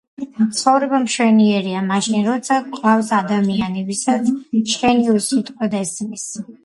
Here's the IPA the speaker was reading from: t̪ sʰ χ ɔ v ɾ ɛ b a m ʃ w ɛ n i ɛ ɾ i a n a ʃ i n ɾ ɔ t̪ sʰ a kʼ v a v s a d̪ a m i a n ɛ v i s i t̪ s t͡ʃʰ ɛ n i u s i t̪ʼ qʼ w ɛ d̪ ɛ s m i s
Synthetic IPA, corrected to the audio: t̪ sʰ χ ɔ v ɾ ɛ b a m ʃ w ɛ n i ɛ ɾ i a m a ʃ i n ɾ ɔ t̪ sʰ a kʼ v a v s a d̪ a m i a n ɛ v i s a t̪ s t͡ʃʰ ɛ n i u s i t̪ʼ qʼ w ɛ d̪ ɛ s m i s